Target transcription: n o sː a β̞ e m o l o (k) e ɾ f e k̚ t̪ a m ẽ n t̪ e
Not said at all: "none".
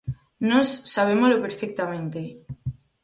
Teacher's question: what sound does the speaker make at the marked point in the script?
p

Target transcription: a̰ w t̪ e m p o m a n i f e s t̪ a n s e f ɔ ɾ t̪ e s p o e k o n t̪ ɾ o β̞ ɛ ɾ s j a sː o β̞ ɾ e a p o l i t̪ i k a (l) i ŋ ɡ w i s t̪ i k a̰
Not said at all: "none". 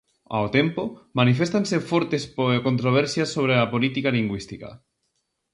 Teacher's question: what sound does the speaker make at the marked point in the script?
l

